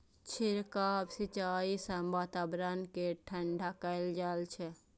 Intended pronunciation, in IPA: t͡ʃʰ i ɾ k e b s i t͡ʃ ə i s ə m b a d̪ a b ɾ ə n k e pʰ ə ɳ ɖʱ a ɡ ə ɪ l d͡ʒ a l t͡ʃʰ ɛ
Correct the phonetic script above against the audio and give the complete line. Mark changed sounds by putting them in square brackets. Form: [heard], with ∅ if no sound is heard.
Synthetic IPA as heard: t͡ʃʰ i ɾ k [a] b s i t͡ʃ [a] i s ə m b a [t̪] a b ɾ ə n k e [ʈʰ] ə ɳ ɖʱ a [k] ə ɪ l d͡ʒ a l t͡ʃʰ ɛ